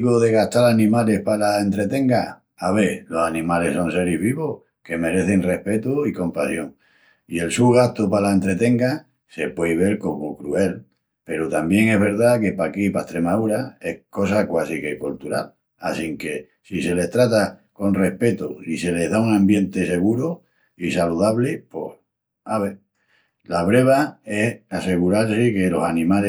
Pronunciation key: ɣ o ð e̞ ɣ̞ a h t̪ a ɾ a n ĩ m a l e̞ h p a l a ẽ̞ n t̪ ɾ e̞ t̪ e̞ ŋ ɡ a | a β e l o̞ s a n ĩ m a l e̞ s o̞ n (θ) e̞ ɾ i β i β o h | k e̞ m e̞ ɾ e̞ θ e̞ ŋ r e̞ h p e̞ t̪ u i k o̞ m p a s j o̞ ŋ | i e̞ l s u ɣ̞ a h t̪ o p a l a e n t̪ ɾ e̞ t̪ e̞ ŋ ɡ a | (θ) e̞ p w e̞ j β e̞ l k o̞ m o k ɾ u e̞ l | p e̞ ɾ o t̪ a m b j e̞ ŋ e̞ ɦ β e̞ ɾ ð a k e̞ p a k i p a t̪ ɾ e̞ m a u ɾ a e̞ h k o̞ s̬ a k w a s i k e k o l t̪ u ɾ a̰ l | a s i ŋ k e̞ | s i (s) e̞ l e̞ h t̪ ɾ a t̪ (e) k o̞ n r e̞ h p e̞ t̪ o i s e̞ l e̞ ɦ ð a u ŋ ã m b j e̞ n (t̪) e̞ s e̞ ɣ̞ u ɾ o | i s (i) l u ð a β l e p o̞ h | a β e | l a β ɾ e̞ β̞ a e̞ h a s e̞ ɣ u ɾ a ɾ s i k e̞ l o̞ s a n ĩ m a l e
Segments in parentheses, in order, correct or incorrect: incorrect, incorrect, correct, incorrect, correct, incorrect

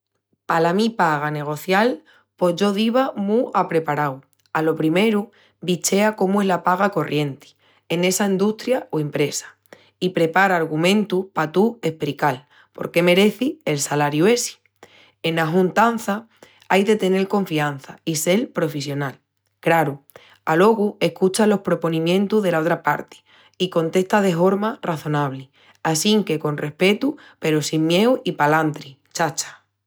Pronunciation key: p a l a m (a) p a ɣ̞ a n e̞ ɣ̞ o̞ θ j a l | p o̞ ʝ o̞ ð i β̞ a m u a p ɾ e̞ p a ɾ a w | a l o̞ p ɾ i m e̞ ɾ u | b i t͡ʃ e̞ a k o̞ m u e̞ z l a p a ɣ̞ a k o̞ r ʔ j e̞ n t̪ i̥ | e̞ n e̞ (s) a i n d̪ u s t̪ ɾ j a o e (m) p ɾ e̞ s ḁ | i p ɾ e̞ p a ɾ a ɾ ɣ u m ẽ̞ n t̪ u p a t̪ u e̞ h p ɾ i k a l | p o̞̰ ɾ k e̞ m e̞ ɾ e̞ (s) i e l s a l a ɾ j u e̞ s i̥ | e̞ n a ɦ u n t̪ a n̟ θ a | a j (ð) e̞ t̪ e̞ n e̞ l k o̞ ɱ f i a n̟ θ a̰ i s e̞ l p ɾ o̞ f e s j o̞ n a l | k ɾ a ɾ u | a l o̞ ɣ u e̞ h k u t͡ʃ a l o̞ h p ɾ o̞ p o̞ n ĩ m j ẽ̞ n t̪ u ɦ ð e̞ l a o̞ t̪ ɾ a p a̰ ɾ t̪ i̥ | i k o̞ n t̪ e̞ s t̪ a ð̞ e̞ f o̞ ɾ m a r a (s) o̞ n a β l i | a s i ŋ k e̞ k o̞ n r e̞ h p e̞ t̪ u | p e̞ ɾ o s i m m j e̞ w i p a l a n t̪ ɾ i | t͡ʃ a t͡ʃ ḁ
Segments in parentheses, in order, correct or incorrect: incorrect, correct, correct, incorrect, correct, incorrect

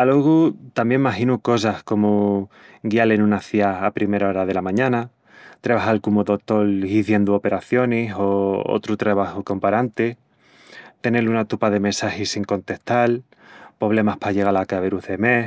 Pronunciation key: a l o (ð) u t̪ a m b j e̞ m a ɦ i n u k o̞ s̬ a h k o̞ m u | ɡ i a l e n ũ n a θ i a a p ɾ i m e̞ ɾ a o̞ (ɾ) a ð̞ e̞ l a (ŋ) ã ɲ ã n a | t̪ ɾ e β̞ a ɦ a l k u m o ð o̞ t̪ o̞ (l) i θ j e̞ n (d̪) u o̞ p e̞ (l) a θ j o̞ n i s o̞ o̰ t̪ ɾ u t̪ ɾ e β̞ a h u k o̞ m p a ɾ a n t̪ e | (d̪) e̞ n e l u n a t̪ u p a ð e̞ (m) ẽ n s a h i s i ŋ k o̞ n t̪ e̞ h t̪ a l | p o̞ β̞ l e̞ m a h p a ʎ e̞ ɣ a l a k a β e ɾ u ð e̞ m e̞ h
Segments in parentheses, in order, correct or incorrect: incorrect, correct, incorrect, correct, correct, incorrect, incorrect, correct

